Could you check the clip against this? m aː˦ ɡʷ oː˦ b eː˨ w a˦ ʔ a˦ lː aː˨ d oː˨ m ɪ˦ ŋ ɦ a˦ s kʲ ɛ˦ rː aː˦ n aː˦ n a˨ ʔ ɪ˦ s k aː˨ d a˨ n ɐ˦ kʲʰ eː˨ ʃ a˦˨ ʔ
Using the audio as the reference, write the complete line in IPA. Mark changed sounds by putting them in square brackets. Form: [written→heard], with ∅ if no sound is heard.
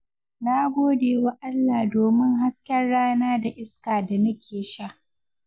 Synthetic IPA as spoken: [m→n] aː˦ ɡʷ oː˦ [b→d] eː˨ w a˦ ʔ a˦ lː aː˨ d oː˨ m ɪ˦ ŋ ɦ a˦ s kʲ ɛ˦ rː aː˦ n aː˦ [n→d] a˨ ʔ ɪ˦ s k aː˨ d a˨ n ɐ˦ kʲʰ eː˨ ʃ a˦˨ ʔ